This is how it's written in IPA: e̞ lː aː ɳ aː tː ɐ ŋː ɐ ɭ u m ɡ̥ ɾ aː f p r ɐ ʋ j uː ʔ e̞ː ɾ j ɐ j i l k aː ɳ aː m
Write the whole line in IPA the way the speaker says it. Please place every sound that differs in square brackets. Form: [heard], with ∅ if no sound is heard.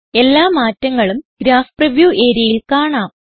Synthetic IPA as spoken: e̞ lː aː [m] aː tː ɐ ŋː ɐ ɭ u m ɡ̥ ɾ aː f p r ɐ ʋ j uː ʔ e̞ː ɾ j ɐ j i l k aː ɳ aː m